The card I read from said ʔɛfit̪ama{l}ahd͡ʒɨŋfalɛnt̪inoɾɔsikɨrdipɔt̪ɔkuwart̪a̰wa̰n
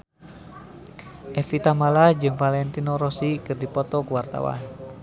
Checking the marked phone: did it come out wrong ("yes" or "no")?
no